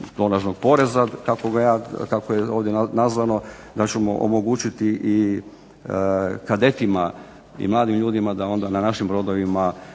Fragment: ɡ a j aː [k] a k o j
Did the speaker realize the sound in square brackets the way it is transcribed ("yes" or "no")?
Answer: yes